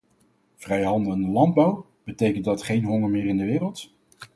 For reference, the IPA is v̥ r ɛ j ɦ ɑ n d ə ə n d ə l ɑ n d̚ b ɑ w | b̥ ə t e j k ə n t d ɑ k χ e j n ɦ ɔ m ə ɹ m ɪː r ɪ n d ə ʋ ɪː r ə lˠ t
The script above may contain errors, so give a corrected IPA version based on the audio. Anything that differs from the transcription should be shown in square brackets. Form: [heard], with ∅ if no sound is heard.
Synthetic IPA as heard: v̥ r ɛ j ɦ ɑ n d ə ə n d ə l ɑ n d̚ b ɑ w | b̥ ə t e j k ə n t d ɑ [t] χ e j n ɦ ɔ [ŋ] ə ɹ m ɪː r ɪ n d ə ʋ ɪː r ə lˠ t